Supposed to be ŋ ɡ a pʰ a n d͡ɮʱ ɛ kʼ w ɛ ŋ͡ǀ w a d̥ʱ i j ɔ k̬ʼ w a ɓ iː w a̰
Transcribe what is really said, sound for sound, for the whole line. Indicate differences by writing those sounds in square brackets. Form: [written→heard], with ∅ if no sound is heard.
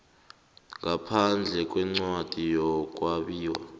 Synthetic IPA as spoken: ŋ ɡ a pʰ a n d͡ɮʱ ɛ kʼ w ɛ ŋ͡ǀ w a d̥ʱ i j ɔ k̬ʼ w a ɓ iː w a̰